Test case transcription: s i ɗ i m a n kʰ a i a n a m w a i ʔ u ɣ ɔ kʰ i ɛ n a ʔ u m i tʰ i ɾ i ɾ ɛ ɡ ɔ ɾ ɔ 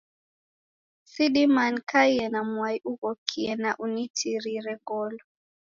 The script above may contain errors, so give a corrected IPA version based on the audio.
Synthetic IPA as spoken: s i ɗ i m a n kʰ a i ɛ n a m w a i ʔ u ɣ ɔ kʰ i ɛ n a ʔ u n i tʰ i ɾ i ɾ ɛ ɡ ɔ l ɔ